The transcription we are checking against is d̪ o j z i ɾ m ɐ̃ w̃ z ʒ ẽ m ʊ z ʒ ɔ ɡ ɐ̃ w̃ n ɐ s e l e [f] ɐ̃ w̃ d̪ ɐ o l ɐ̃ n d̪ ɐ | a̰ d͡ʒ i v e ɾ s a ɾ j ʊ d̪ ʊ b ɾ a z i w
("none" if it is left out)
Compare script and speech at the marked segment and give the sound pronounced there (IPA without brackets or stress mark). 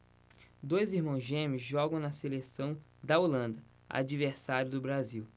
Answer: s